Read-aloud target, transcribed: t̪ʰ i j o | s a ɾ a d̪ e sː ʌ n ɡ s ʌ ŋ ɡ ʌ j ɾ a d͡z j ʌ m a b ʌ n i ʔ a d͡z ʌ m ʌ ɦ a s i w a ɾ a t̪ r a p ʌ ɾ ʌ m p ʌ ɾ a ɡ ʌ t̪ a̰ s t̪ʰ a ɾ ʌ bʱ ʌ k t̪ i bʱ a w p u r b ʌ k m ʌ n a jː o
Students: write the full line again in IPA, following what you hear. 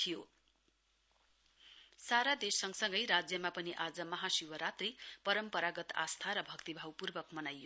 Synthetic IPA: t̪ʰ i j o | s a ɾ a d̪ e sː ʌ ŋ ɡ s ʌ ŋ ɡ ʌ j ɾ a d͡z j ʌ m a p ʌ n i ʔ a d͡z ʌ m ʌ ɦ a s i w ʌ ɾ a t̪ r i p ʌ ɾ ʌ m p ʌ ɾ a ɡ ʌ t̪ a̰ s t̪ʰ a ɾ ʌ bʱ ʌ k t̪ i bʱ a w p u r b ʌ k m ʌ n a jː o

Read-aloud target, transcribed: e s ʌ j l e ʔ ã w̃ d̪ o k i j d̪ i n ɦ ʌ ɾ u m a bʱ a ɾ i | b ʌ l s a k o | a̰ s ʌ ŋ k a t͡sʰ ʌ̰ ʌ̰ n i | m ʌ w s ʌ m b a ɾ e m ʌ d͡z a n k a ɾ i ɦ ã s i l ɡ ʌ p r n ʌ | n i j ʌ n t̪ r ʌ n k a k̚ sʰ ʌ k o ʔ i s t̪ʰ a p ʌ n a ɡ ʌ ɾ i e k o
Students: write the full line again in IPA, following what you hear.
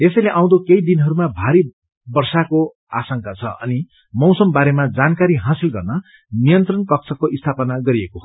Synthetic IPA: e s ʌ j l e ʔ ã w̃ d̪ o k e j d̪ i n ɦ ʌ ɾ u m a bʱ a ɾ i | b ʌ r s a k o | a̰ s ʌ ŋ k a t͡sʰ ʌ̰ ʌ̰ n i | m ʌ w s ʌ m b a ɾ e m a d͡z a n k a ɾ i ɦ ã s i l ɡ ʌ r n ʌ | n i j ʌ n t̪ r ʌ n k ʌ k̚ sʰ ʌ k o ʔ i s t̪ʰ a p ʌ n a ɡ ʌ ɾ i e k o

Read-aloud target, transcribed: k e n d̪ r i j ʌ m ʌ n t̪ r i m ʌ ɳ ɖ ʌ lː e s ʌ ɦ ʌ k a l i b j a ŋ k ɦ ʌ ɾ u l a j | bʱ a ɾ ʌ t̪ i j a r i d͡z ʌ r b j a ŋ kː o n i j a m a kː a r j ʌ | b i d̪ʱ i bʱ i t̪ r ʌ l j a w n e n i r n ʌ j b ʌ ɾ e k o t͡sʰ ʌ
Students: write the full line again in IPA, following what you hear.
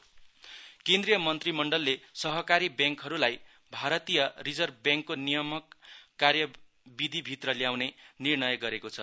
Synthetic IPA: k e n d̪ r i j ʌ m ʌ n t̪ r i m ʌ ɳ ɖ ʌ lː e s ʌ ɦ ʌ k a ɾ i b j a ŋ k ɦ ʌ ɾ u l a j | bʱ a ɾ ʌ t̪ i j ʌ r i d͡z ʌ r b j a ŋ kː o n i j ʌ m ʌ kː a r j ʌ | b i d̪ʱ i bʱ i t̪ r ʌ l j a w n e n i r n ʌ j ɡ ʌ ɾ e k o t͡sʰ ʌ

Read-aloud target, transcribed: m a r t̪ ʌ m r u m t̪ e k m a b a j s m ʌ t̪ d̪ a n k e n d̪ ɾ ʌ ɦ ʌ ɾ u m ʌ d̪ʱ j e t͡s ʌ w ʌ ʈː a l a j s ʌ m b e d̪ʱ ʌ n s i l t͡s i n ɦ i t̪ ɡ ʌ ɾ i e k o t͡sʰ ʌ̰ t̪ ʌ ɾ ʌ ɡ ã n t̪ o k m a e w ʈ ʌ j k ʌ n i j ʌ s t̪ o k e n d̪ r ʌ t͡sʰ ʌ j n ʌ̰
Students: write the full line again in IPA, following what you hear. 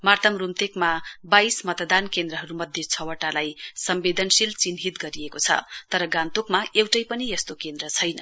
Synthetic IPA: m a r t̪ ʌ m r u m t̪ e k m a b a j s m ʌ t̪ d̪ a n k e n d̪ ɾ ʌ ɦ ʌ ɾ u m ʌ d̪ʱ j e t͡sʰ ʌ w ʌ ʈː a l a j s ʌ m b e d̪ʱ ʌ n s i l t͡s i n ɦ i t̪ ɡ ʌ ɾ i e k o t͡sʰ ʌ̰ t̪ ʌ ɾ ʌ ɡ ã n t̪ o k m a e w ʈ ʌ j p ʌ n i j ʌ s t̪ o k e n d̪ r ʌ t͡sʰ ʌ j n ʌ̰

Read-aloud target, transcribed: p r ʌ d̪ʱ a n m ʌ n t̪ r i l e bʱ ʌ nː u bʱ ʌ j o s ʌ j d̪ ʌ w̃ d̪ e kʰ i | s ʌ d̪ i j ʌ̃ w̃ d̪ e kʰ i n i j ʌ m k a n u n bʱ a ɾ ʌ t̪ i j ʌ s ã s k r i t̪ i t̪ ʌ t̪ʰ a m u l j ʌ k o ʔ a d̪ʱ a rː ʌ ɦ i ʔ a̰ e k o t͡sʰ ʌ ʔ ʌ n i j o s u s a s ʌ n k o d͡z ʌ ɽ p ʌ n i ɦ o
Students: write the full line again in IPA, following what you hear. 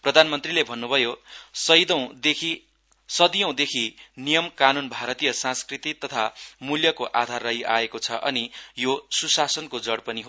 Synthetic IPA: p r ʌ d̪ʱ a n m ʌ n t̪ r i l e bʱ ʌ nː u bʱ ʌ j o s ʌ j d̪ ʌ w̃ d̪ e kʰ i | s ʌ d̪ i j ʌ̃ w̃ d̪ e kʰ i n i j ʌ m k a n u n bʱ a ɾ ʌ t̪ i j ʌ s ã s k r i t̪ i t̪ ʌ t̪ʰ a m u l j ʌ k o ʔ a d̪ʱ a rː ʌ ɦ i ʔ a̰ e k o t͡sʰ ʌ ʔ ʌ n i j o s u s a s ʌ n k o d͡z ʌ ɽ p ʌ n i ɦ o

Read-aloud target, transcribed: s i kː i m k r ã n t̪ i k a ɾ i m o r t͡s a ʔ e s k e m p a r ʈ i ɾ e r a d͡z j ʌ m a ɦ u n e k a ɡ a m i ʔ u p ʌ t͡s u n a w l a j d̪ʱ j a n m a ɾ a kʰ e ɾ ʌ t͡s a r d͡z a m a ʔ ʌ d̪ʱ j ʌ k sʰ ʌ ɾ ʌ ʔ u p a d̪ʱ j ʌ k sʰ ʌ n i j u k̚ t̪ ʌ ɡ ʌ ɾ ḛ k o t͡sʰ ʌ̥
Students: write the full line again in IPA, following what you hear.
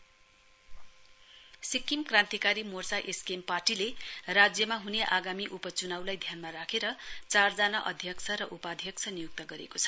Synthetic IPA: s i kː i m k r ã n t̪ i k a ɾ i m o r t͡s a ʔ e s k e m p a r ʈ i l e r a d͡z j ʌ m a ɦ u n e ʔ a ɡ a m i ʔ u p ʌ t͡s u n a w l a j d̪ʱ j a n m a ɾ a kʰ e ɾ ʌ t͡s a r d͡z a n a ʔ ʌ d̪ʱ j ʌ k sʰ ʌ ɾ ʌ ʔ u p a d̪ʱ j ʌ k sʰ ʌ n i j u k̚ t̪ ʌ ɡ ʌ ɾ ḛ k o t͡sʰ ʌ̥

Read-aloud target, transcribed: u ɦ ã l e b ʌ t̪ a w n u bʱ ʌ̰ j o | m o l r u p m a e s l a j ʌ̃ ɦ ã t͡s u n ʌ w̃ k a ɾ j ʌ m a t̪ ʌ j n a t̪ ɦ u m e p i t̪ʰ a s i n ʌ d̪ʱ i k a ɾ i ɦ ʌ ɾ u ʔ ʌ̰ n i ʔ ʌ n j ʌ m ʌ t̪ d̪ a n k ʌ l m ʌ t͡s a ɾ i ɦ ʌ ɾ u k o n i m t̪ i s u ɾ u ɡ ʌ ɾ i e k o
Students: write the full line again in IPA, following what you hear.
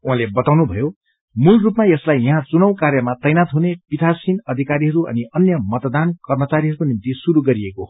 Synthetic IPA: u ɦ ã l e b ʌ t̪ a w n u bʱ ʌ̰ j o | m u l r u p m a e s l a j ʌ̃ ɦ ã t͡s u n ʌ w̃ k a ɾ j ʌ m a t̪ ʌ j n a t̪ ɦ u n e p i t̪ʰ a s i n ʌ d̪ʱ i k a ɾ i ɦ ʌ ɾ u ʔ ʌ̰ n i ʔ ʌ n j ʌ m ʌ t̪ d̪ a n k ʌ r m ʌ t͡s a ɾ i ɦ ʌ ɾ u k o n i m t̪ i s u ɾ u ɡ ʌ ɾ i e k o

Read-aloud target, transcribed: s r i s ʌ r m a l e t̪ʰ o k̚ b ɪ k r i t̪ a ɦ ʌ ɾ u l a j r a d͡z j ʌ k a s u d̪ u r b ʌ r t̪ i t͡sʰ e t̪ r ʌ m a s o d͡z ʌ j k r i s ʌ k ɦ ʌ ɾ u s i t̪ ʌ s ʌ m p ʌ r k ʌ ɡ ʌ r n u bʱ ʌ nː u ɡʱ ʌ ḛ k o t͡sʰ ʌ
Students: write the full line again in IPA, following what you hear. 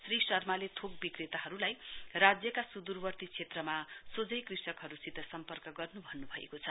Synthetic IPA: s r i s ʌ r m a l e t̪ʰ o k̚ b i k r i t̪ a ɦ ʌ ɾ u l a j r a d͡z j ʌ k a s u d̪ u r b ʌ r t̪ i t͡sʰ e t̪ r ʌ m a s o d͡z ʌ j k r i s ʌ k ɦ ʌ ɾ u s i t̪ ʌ s ʌ m p ʌ r k ʌ ɡ ʌ r n u bʱ ʌ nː u bʱ ʌ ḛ k o t͡sʰ ʌ

